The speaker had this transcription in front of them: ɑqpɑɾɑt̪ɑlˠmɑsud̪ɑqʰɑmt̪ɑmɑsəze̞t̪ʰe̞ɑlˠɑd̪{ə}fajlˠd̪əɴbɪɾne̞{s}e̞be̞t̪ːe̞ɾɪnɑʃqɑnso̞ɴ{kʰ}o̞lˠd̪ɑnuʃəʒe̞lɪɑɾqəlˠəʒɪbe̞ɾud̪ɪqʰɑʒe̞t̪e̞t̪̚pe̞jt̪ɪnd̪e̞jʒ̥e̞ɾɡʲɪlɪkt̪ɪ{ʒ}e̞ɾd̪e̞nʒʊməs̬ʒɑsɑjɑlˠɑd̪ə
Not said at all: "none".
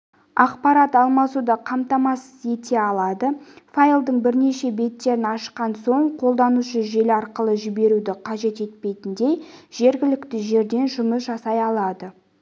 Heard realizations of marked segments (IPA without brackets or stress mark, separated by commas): ə, ʃ, qʰ, ʒ